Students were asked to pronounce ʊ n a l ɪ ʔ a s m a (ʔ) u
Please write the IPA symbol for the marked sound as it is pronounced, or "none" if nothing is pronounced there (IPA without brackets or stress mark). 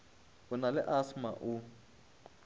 ʔ